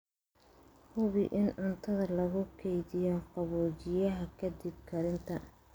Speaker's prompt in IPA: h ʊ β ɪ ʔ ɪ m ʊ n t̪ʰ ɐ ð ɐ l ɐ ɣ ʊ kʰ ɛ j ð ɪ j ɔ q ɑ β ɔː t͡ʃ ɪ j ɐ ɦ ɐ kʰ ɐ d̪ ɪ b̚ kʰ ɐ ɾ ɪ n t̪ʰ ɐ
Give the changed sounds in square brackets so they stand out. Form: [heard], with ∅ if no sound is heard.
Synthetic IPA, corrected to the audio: h ʊ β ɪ ʔ ɪ [n] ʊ n t̪ʰ ɐ ð ɐ l ɐ ɣ ʊ kʰ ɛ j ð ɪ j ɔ q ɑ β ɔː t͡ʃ ɪ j ɐ ɦ ɐ kʰ ɐ d̪ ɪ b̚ kʰ ɐ ɾ ɪ n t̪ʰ ɐ